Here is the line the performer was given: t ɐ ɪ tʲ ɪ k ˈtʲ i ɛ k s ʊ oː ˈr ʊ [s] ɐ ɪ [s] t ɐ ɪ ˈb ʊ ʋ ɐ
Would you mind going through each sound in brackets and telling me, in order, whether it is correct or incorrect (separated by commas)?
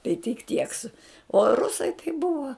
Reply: correct, incorrect